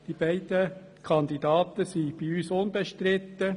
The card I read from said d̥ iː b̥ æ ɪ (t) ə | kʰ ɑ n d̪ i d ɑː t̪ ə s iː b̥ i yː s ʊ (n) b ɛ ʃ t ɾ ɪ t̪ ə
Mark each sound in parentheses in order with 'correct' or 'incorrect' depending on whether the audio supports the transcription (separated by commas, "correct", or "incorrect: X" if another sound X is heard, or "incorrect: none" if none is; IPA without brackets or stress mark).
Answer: incorrect: d, correct